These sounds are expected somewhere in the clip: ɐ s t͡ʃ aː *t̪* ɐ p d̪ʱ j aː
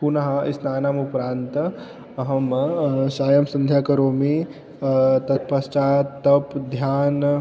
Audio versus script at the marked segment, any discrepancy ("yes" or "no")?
no